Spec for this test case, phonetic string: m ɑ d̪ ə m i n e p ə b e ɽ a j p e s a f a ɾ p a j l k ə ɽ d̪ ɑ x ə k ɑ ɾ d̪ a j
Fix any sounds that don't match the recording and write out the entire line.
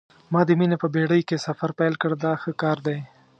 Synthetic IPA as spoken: m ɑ d̪ ə m i n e p ə b e ɽ ə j k e s a f a ɾ p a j l k ə ɽ d̪ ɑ x ə k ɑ ɾ d̪ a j